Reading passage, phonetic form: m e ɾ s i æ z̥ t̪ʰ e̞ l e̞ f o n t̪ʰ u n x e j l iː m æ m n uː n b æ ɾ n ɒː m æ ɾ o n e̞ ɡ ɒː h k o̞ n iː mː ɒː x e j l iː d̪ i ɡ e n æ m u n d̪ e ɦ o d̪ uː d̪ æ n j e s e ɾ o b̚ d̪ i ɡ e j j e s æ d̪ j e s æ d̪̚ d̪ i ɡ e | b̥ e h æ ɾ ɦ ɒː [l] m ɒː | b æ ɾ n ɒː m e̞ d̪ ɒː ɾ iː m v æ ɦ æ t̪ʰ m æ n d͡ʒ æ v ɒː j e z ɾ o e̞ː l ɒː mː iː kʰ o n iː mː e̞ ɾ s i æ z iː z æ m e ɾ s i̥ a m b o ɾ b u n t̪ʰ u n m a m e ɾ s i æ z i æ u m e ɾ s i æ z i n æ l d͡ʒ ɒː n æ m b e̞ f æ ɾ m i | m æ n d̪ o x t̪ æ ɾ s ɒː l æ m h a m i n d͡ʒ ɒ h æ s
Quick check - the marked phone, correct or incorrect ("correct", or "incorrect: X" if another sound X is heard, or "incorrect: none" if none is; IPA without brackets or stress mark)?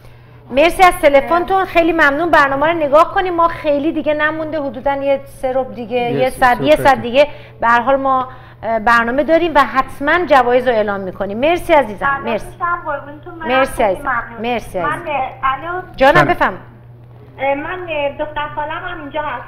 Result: correct